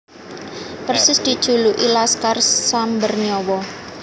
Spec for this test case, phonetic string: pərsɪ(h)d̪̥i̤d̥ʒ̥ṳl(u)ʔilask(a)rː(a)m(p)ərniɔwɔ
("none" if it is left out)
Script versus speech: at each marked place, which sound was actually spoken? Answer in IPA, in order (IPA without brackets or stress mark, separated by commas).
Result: s, u, a, a, b